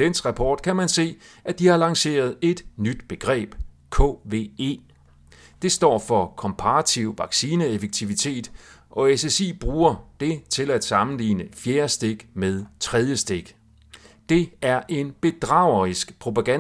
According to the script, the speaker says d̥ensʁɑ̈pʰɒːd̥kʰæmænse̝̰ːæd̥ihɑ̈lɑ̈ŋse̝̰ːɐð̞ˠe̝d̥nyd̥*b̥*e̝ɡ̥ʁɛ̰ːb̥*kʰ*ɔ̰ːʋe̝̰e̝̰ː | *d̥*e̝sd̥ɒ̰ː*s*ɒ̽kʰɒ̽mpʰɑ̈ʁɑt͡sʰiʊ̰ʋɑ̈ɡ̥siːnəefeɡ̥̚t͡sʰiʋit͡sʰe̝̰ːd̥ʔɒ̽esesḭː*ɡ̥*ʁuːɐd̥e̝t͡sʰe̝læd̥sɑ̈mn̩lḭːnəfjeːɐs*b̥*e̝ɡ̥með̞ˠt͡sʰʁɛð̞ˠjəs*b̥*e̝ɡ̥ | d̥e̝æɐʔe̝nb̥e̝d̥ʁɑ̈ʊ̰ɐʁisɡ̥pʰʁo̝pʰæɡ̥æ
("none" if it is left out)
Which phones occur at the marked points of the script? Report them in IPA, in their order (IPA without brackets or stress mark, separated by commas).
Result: b̥, kʰ, d̥, f, b̥, d̥, d̥